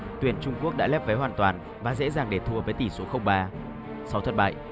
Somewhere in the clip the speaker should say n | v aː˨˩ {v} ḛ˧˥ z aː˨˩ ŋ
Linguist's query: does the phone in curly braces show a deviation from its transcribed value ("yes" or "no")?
yes